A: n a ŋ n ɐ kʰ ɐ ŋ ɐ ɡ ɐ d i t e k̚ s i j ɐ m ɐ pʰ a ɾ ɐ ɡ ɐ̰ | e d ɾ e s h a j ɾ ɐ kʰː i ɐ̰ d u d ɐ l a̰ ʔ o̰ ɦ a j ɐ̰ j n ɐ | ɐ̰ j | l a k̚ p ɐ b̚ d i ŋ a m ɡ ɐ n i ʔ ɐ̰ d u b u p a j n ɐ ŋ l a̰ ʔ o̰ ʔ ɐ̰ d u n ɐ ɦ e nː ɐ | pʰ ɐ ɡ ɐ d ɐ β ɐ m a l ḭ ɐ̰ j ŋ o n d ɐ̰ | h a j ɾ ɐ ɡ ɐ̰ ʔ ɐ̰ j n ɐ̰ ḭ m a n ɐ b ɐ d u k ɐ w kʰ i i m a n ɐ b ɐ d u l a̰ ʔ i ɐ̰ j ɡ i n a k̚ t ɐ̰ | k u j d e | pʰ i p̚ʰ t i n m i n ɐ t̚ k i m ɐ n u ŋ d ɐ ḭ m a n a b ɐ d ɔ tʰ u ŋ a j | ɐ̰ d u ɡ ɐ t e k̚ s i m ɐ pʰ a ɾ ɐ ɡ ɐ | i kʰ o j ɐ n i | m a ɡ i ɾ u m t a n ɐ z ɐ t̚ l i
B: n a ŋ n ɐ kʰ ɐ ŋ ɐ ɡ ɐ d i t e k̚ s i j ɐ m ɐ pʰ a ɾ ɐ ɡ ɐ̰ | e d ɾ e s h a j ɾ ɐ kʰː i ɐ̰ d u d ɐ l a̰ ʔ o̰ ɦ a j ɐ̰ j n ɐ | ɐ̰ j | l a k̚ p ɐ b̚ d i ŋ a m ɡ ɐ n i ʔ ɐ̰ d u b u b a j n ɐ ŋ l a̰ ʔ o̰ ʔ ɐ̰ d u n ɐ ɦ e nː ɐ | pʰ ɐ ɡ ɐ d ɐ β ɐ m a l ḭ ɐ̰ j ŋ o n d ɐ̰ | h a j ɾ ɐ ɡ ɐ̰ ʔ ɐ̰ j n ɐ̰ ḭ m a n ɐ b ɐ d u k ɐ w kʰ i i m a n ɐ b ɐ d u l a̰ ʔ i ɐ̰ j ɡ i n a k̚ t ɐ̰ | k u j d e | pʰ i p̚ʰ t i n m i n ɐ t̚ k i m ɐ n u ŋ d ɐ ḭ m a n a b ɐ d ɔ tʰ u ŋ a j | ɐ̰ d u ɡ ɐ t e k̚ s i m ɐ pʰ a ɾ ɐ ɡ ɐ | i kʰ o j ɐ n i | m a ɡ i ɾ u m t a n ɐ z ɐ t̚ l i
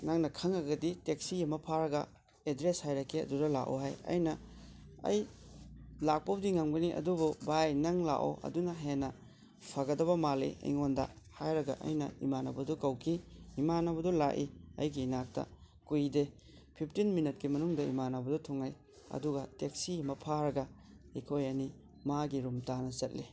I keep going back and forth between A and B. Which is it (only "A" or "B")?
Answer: B